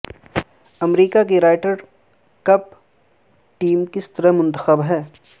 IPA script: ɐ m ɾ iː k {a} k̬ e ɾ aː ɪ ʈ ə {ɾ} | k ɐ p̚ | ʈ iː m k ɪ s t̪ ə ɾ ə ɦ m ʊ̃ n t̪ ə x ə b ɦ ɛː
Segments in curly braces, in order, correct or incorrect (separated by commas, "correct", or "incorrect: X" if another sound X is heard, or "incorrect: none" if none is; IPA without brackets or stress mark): correct, correct